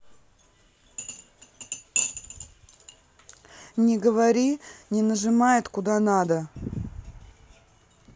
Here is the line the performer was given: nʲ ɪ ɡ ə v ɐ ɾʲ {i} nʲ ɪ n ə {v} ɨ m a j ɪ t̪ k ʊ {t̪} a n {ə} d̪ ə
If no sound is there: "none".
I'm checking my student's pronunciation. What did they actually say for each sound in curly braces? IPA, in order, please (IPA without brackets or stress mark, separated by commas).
i, ʐ, d̪, a